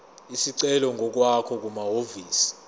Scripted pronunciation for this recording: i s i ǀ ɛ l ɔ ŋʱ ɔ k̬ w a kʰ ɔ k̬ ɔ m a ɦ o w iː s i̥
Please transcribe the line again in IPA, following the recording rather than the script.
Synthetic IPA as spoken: i s i ǀ ɛ l ɔ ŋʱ ɔ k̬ w a kʰ ɔ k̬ u m a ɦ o v iː s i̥